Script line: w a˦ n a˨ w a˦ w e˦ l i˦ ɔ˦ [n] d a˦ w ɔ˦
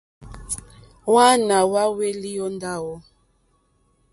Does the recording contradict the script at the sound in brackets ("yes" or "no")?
no